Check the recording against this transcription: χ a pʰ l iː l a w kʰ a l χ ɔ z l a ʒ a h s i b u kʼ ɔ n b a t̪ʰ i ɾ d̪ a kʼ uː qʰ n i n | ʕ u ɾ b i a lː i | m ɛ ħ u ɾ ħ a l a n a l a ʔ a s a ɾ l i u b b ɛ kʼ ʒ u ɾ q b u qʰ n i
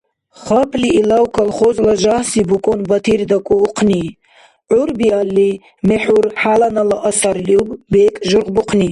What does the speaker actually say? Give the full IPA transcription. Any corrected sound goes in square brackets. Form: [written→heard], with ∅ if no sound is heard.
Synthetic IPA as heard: χ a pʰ l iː l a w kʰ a l χ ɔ z l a ʒ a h s i b u kʼ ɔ n b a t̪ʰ i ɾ d̪ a kʼ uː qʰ n i [n→∅] | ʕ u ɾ b i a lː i | m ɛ ħ u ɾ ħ a l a n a l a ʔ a s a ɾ l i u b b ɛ kʼ ʒ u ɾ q b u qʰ n i